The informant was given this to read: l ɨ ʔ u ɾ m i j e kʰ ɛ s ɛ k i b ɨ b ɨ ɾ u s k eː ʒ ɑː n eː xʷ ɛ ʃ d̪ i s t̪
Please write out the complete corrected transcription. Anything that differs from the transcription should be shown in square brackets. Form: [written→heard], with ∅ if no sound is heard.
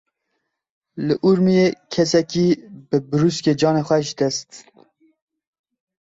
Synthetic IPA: l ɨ ʔ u ɾ m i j e kʰ ɛ s ɛ k i b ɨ b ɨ ɾ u s k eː [ʒ→d͡ʒ] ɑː n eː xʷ ɛ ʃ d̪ [i→ɛ] s t̪